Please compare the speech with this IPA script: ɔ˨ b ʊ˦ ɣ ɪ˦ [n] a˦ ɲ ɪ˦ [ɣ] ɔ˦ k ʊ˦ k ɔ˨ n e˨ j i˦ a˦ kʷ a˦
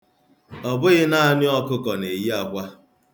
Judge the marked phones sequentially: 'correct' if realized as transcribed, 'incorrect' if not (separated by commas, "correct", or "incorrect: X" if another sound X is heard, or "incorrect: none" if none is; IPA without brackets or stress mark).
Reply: correct, incorrect: none